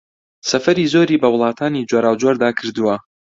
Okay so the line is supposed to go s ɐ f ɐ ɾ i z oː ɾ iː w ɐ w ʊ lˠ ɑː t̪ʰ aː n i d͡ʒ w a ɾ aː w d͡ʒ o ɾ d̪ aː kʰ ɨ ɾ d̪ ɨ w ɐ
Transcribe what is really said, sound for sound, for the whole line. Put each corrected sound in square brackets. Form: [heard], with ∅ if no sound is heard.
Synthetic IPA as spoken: s ɐ f ɐ ɾ i z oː ɾ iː [b] ɐ w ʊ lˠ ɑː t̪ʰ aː n i d͡ʒ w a ɾ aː w d͡ʒ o ɾ d̪ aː kʰ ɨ ɾ d̪ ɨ w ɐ

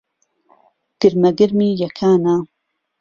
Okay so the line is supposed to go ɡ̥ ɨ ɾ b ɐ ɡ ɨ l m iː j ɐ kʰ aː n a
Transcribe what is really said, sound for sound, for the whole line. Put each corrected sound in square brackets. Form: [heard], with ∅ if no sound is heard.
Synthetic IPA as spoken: ɡ̥ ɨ ɾ [m] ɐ ɡ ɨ [ɾ] m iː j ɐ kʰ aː n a

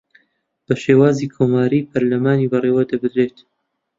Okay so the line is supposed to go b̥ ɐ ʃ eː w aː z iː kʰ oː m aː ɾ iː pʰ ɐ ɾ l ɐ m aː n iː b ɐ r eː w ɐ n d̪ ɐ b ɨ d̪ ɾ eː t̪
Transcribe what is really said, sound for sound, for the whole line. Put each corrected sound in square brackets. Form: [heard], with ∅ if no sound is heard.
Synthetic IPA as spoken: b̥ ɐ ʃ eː w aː z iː kʰ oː m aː ɾ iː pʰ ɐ ɾ l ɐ m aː n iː b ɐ r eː w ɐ [∅] d̪ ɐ b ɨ d̪ ɾ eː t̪

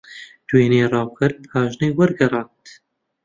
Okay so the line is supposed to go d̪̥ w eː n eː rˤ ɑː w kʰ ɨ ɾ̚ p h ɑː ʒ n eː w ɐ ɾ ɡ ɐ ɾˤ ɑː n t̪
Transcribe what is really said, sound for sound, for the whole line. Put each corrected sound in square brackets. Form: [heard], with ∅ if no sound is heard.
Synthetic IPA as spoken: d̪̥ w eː n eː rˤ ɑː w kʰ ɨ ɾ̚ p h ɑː ʒ n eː w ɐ ɾ ɡ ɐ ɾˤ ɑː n t̪

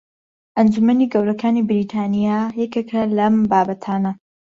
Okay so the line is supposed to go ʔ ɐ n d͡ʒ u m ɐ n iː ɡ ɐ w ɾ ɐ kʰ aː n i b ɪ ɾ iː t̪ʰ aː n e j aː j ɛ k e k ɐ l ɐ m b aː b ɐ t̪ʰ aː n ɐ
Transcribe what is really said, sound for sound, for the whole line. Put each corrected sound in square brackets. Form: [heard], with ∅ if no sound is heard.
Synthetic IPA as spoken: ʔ ɐ n d͡ʒ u m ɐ n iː ɡ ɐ w ɾ ɐ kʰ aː n i b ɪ ɾ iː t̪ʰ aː n [i] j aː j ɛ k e k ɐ l ɐ m b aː b ɐ t̪ʰ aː n ɐ

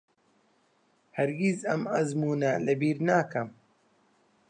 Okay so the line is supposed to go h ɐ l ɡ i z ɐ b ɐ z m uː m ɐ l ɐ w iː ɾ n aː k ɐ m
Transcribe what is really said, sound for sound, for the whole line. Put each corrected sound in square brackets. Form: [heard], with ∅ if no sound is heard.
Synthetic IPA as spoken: h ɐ [ɾ] ɡ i z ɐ [m] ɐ z m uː [n] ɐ l ɐ [b] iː ɾ n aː k ɐ m

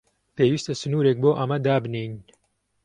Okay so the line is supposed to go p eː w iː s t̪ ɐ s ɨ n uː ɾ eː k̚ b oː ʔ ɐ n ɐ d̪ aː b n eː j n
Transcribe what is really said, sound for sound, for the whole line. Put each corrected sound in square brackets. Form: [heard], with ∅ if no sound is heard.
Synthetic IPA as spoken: p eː w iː s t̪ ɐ s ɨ n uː ɾ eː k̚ b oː ʔ ɐ [m] ɐ d̪ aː b n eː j n

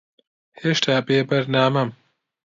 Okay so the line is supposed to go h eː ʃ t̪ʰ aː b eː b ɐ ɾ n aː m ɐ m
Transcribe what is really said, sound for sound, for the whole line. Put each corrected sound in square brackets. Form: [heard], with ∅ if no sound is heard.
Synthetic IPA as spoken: h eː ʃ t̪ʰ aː b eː b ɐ ɾ n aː m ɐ m

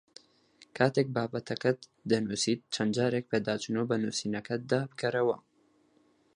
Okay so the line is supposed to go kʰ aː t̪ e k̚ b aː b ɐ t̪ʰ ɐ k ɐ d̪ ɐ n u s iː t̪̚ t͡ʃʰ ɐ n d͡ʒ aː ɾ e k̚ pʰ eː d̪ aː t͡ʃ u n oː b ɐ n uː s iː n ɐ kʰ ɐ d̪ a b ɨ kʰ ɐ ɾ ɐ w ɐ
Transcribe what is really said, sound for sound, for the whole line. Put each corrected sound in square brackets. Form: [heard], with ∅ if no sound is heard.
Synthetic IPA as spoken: kʰ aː t̪ e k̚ b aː b ɐ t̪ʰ ɐ k ɐ d̪ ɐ n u s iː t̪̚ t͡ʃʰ ɐ n d͡ʒ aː ɾ e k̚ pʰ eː d̪ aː t͡ʃ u n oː b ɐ n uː s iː n ɐ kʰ ɐ d̪ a b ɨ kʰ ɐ ɾ ɐ w ɐ

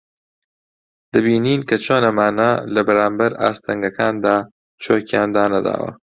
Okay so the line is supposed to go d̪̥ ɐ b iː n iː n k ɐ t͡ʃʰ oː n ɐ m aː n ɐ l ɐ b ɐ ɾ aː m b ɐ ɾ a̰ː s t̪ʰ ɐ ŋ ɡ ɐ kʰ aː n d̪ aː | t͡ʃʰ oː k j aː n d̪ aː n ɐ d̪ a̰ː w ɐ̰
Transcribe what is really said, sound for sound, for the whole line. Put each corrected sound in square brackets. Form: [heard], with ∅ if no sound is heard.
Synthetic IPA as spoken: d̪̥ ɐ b iː n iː n k ɐ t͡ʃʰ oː n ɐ m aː n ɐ l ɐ b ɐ ɾ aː m b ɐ ɾ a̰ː s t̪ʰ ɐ ŋ ɡ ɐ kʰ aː n d̪ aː | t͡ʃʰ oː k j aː n d̪ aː n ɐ d̪ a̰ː w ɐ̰

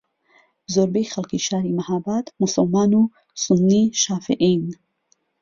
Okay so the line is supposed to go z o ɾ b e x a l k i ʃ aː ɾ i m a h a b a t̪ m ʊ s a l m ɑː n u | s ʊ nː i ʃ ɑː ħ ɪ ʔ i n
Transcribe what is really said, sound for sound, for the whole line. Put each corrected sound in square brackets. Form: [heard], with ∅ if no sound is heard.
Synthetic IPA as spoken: z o ɾ b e x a l k i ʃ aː ɾ i m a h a b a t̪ m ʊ s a l m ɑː n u | s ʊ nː i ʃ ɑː [f] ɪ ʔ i n

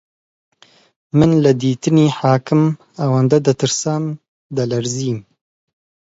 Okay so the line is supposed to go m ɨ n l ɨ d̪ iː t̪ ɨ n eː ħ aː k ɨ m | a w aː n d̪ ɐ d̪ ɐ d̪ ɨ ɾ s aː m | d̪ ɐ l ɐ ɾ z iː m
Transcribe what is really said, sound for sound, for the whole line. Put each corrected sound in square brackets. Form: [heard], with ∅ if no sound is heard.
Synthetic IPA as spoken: m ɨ n l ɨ d̪ iː t̪ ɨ n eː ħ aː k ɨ m | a w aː n d̪ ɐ d̪ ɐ [t̪] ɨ ɾ s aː m | d̪ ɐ l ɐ ɾ z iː m

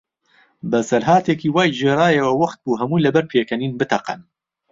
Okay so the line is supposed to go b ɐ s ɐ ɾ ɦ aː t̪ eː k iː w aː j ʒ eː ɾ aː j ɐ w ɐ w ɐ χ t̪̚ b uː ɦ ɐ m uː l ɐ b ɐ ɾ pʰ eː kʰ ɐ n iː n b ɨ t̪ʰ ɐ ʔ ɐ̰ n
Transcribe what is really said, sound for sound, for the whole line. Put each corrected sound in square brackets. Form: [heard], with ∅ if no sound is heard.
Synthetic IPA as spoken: b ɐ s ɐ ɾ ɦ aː t̪ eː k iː w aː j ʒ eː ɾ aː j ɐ w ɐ w ɐ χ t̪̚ b uː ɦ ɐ m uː l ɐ b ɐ ɾ pʰ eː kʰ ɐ n iː n b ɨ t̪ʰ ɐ [q] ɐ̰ n

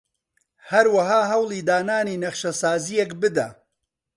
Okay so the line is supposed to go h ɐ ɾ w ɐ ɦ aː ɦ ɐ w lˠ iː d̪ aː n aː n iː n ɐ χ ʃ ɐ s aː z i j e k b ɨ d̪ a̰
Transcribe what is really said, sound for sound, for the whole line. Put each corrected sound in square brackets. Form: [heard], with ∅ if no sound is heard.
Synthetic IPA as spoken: h ɐ ɾ w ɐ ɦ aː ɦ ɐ w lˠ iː d̪ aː n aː n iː n ɐ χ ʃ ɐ s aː z i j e k b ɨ d̪ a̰

